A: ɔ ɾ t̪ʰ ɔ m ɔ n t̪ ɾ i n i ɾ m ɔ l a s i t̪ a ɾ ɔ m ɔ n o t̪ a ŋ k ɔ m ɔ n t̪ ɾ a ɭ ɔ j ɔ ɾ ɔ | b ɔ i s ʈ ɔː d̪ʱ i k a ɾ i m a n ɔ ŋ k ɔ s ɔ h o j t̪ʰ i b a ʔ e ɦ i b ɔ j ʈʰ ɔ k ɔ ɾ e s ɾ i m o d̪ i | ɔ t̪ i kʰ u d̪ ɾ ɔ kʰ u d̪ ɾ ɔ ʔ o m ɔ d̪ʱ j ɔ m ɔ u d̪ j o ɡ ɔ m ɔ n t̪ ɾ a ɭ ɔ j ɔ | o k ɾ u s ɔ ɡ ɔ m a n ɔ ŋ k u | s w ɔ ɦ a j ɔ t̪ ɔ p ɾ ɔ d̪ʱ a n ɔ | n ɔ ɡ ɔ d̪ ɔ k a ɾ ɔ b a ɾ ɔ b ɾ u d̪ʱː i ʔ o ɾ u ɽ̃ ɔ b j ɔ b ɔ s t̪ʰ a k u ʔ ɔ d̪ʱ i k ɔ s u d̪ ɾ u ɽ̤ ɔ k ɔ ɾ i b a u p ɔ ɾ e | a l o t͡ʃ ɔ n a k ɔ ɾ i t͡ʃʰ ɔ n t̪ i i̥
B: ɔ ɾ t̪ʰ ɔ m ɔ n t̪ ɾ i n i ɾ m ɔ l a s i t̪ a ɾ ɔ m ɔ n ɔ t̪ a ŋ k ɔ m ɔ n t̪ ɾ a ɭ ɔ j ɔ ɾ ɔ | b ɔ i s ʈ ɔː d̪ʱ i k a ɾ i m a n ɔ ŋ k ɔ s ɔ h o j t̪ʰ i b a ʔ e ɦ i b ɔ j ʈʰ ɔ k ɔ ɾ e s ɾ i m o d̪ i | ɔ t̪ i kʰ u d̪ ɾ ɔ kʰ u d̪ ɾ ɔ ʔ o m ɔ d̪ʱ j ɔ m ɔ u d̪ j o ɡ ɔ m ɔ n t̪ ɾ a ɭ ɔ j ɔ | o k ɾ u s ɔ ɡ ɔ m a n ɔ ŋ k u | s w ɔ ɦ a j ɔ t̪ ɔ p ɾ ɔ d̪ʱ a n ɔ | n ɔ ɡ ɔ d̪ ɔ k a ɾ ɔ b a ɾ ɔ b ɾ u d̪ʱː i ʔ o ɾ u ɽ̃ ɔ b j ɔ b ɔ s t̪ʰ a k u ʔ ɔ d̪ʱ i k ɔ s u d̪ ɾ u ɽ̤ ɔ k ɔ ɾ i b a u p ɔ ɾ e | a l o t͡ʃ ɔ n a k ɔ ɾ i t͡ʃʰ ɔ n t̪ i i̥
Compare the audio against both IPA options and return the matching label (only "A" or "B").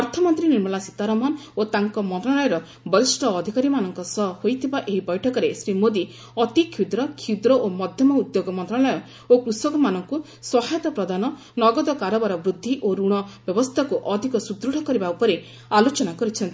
A